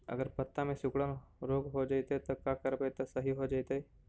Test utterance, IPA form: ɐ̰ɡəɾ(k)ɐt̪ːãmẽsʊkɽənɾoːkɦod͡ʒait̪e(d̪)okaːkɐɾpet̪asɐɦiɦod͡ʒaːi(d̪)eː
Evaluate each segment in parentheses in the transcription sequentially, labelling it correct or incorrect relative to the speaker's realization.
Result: incorrect, incorrect, incorrect

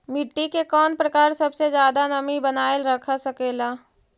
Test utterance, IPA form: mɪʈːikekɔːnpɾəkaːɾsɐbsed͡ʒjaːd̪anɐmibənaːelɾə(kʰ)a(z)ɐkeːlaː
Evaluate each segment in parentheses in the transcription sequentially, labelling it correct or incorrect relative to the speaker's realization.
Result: correct, incorrect

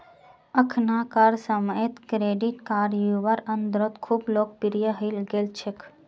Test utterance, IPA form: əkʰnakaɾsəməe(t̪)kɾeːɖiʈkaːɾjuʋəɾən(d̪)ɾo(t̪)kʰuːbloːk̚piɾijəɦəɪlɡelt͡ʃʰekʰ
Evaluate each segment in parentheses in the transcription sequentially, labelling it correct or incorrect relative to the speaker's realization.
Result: correct, correct, correct

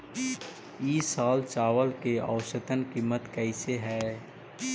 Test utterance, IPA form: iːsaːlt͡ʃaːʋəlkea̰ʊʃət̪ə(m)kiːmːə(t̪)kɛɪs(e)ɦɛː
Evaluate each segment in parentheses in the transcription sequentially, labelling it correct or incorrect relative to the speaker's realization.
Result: incorrect, correct, correct

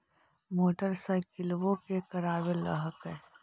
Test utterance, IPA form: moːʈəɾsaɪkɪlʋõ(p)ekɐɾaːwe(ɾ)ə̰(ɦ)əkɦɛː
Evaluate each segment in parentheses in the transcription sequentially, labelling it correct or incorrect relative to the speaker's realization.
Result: incorrect, incorrect, correct

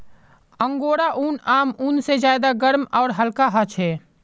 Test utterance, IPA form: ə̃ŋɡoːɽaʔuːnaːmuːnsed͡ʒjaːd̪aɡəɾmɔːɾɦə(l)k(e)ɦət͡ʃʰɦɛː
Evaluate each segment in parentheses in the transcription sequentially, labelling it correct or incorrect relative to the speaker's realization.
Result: correct, incorrect

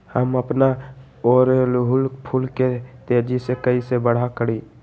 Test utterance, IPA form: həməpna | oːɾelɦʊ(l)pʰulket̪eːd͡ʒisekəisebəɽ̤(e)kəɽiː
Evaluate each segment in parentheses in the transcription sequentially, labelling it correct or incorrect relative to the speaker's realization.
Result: correct, incorrect

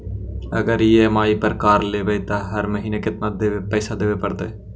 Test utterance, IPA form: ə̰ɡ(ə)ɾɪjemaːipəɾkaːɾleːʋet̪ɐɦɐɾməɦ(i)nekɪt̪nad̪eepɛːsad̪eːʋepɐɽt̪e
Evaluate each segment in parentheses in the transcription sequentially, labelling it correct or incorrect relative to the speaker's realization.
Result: correct, incorrect

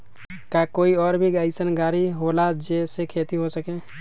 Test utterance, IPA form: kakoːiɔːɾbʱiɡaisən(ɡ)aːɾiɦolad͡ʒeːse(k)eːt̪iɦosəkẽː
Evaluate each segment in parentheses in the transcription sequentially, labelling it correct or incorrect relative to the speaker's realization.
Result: correct, incorrect

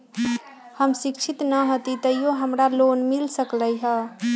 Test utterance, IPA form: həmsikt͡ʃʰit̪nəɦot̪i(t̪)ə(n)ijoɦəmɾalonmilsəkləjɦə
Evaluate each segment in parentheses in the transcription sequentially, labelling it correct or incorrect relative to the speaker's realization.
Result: correct, incorrect

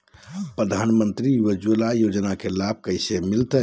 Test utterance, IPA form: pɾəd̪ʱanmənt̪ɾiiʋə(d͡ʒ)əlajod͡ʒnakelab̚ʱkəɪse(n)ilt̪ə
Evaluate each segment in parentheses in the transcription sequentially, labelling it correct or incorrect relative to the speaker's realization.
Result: correct, incorrect

